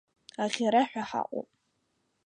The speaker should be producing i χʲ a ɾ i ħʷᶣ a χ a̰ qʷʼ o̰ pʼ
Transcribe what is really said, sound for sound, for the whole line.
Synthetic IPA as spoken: a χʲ a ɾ a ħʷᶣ a ħ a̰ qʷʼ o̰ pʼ